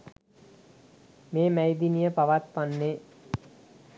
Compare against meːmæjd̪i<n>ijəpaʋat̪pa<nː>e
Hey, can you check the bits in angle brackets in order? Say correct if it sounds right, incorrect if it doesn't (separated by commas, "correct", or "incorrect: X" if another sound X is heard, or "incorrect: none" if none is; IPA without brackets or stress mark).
correct, correct